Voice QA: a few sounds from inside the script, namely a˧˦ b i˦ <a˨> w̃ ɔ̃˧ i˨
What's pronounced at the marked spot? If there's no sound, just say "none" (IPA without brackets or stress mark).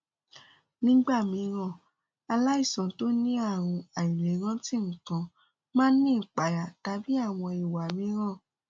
a˦˨